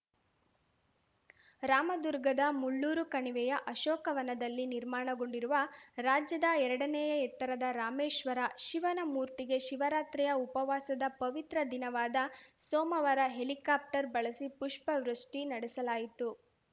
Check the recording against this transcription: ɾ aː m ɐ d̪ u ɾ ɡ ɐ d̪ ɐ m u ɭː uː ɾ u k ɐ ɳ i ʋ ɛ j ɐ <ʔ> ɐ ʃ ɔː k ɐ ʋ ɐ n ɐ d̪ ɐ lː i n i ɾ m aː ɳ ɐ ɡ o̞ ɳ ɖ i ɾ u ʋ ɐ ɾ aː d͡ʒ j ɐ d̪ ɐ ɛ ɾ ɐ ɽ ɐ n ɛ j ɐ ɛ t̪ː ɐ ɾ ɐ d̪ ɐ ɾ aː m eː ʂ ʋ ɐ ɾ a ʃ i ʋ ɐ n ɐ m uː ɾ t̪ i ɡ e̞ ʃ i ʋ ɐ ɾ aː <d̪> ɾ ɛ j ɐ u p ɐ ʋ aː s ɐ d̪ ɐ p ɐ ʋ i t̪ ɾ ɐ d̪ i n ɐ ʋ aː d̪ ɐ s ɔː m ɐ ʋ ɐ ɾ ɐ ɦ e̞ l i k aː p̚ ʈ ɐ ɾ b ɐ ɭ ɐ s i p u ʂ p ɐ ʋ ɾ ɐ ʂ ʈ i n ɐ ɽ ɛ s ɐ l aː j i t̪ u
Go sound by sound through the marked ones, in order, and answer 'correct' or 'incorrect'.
correct, incorrect: t̪

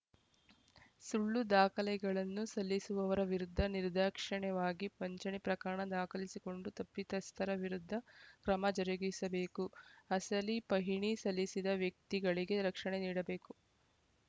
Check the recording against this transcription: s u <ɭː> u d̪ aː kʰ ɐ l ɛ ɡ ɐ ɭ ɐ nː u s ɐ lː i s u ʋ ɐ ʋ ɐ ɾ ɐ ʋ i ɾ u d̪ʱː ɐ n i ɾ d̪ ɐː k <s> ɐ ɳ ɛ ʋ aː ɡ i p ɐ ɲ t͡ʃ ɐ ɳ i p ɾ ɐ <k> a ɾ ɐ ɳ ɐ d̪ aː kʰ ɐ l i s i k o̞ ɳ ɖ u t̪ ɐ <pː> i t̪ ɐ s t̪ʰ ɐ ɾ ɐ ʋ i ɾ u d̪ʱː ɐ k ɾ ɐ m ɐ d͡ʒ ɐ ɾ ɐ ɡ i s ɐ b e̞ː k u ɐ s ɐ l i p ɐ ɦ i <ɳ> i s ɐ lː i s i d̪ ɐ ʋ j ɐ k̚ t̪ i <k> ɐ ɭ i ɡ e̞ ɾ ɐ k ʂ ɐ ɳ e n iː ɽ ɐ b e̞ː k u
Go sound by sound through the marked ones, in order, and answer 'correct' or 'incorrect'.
correct, incorrect: ʂ, correct, correct, correct, incorrect: ɡ

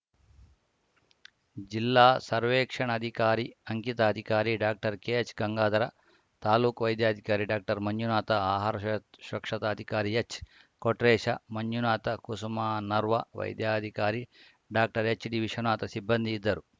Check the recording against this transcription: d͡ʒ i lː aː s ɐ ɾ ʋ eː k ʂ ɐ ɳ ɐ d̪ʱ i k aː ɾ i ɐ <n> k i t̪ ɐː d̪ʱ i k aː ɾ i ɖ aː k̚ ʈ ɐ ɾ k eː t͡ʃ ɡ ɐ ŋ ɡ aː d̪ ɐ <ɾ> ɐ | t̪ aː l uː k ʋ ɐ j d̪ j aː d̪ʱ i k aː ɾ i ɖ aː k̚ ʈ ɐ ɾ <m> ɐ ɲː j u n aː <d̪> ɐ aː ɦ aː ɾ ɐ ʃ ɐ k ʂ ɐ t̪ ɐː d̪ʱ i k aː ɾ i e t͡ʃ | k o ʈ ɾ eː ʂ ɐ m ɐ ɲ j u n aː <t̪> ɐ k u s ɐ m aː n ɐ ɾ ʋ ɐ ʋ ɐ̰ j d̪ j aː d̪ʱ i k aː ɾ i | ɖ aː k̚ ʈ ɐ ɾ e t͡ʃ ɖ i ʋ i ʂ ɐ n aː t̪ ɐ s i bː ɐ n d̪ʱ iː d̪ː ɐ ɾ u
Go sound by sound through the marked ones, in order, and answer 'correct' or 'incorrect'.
incorrect: ŋ, correct, correct, incorrect: t̪, correct

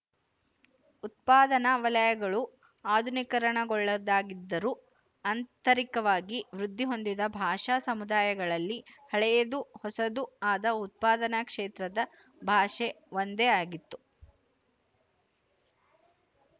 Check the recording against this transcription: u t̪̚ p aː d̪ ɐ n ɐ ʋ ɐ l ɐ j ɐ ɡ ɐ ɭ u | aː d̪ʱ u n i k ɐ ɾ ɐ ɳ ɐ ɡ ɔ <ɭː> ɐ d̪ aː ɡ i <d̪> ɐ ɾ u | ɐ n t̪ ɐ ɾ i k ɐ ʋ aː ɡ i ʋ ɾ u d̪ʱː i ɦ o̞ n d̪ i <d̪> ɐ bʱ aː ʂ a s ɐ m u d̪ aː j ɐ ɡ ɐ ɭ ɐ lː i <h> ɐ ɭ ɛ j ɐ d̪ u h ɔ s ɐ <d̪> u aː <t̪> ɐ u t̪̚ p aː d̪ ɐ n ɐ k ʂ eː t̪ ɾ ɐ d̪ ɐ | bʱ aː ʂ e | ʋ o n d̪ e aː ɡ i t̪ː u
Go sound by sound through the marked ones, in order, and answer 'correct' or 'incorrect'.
correct, incorrect: d̪ː, correct, correct, correct, incorrect: d̪

